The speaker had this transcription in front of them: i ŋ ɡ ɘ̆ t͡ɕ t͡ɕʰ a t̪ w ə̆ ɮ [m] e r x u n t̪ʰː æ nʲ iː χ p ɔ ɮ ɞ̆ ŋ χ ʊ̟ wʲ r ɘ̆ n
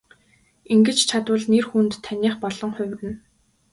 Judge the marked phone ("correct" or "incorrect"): incorrect